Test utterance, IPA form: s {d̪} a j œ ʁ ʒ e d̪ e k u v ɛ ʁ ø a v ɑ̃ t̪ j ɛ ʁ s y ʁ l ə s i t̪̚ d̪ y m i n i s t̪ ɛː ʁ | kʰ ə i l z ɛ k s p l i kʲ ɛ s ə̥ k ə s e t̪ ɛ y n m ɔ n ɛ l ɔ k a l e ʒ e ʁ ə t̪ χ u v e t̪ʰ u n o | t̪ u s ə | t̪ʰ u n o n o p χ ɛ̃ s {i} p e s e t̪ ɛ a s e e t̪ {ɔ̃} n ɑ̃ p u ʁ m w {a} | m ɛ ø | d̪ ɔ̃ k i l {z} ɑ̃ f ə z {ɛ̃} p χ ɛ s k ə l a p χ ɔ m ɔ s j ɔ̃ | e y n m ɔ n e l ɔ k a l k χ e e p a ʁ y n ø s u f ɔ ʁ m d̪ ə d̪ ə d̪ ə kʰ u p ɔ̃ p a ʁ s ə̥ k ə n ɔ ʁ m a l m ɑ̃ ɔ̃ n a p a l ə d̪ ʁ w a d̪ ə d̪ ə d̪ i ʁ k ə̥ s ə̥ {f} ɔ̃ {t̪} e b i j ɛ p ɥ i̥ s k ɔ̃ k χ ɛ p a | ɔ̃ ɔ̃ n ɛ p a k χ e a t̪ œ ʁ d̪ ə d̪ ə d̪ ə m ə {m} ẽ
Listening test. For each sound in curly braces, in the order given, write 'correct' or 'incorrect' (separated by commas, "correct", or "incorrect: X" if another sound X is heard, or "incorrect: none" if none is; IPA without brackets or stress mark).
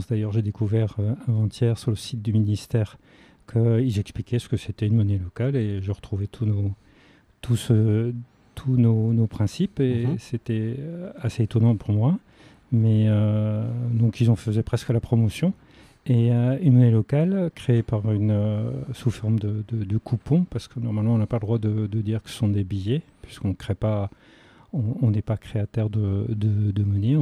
correct, correct, incorrect: ɔ, correct, correct, incorrect: ɛ, incorrect: s, incorrect: d̪, incorrect: n